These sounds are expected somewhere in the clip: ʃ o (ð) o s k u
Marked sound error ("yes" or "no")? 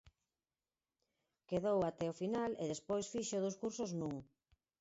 no